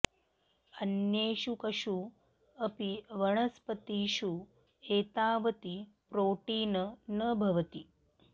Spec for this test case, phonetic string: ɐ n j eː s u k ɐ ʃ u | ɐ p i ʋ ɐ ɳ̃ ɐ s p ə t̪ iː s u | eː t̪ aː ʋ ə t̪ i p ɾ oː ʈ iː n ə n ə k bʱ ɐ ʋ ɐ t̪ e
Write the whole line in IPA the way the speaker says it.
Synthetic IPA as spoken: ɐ n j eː ʃ u k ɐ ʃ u | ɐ p i ʋ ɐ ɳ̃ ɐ s p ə t̪ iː ʃ u | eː t̪ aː ʋ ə t̪ i p ɾ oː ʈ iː n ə n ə bʱ ɐ ʋ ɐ t̪ i